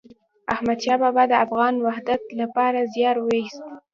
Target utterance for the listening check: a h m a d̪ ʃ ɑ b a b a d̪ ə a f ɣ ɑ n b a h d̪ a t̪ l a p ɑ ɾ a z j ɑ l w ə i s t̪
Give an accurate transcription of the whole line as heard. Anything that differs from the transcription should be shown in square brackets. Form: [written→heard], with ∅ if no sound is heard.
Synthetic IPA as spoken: a h m a d̪ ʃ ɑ b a b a d̪ ə a f ɣ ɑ n [b→w] a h d̪ a t̪ l a p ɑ ɾ a z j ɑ [l→ɾ] w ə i s t̪